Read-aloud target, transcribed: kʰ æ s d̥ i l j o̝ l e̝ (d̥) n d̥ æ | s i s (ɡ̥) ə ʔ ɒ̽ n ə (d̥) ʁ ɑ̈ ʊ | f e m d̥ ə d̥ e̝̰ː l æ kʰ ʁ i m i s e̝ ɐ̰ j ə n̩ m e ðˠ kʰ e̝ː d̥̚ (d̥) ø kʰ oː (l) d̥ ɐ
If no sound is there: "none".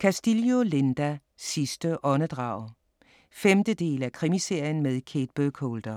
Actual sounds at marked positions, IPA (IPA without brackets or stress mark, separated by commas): none, d̥, d̥, b̥, l